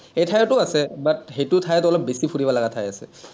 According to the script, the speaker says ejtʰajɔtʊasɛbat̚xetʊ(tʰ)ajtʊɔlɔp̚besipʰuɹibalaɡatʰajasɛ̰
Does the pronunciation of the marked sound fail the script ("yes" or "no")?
no